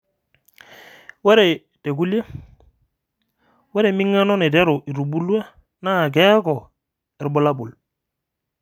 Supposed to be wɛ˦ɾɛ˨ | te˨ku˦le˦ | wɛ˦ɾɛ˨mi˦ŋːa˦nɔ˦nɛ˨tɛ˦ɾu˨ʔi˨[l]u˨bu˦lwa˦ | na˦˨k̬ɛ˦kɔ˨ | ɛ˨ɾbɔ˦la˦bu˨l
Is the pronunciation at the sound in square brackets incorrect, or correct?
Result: incorrect